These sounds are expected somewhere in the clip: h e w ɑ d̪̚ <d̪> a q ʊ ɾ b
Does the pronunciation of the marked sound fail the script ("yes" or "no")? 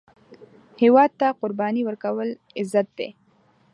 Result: yes